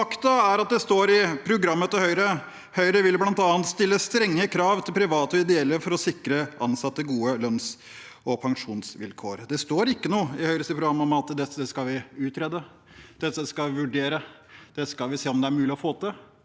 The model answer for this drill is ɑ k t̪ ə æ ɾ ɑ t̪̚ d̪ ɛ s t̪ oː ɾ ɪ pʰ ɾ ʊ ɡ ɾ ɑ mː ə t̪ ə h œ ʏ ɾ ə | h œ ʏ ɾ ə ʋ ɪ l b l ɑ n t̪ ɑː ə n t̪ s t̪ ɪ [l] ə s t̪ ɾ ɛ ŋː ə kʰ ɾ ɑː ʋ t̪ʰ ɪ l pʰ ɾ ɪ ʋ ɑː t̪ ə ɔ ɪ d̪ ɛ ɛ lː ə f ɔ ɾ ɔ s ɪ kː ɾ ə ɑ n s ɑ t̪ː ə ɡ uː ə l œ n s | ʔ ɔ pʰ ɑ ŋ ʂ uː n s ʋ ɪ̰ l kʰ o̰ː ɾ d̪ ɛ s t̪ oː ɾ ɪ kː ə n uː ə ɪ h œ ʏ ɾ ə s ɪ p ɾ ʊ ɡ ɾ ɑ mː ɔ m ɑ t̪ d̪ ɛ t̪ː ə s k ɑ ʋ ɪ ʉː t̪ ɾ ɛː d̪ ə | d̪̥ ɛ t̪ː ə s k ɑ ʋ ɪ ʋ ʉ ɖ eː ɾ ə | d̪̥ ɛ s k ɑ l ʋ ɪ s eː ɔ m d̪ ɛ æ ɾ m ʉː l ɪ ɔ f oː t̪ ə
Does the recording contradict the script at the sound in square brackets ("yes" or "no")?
yes